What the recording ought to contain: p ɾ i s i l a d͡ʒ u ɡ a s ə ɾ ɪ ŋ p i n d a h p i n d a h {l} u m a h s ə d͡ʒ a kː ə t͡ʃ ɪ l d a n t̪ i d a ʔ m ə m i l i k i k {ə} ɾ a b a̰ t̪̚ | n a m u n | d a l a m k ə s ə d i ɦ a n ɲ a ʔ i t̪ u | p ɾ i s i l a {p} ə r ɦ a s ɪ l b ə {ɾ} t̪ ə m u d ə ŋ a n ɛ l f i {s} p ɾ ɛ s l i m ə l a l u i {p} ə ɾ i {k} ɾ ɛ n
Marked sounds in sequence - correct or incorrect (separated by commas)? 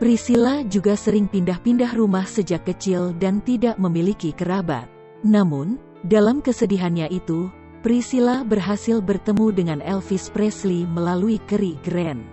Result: incorrect, correct, incorrect, incorrect, correct, incorrect, incorrect